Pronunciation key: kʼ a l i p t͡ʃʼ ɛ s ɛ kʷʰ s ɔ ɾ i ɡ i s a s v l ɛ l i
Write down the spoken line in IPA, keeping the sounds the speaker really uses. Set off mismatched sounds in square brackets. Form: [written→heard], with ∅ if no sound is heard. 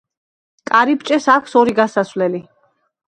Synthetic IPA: kʼ a [l→ɾ] i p t͡ʃʼ ɛ s [ɛ→a] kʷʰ s ɔ ɾ i ɡ [i→a] s a s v l ɛ l i